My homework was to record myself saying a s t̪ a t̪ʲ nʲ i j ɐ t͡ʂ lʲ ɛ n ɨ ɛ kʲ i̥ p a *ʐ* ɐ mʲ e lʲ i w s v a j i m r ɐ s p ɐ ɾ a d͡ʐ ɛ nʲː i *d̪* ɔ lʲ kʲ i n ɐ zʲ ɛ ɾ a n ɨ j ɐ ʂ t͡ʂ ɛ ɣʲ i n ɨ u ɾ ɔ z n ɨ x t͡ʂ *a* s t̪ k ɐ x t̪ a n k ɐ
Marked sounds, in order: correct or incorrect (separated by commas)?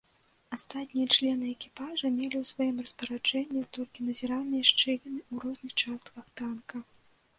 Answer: correct, incorrect, correct